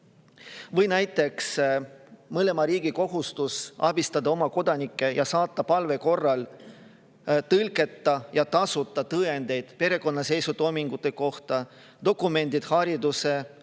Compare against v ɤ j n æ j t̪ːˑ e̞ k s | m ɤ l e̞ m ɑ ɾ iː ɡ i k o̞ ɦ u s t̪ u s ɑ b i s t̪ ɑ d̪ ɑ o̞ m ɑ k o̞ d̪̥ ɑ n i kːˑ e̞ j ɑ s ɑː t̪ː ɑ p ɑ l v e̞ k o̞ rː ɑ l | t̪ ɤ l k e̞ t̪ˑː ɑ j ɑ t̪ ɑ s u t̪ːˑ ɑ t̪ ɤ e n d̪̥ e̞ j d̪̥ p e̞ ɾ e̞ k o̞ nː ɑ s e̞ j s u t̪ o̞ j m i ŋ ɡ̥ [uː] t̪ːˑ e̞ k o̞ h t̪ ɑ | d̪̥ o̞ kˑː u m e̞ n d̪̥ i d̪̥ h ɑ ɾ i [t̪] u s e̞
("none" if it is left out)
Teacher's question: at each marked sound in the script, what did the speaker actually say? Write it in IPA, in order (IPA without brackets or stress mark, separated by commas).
u, d̪